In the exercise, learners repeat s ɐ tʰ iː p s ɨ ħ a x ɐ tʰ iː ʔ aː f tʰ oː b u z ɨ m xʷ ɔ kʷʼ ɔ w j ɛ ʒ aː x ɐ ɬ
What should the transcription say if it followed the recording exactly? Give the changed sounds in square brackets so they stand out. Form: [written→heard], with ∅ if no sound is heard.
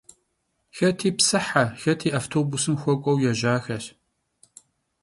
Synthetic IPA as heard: [s→x] ɐ tʰ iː p s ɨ ħ a x ɐ tʰ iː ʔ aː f tʰ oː b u [z→s] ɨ m xʷ ɔ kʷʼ ɔ w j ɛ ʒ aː x ɐ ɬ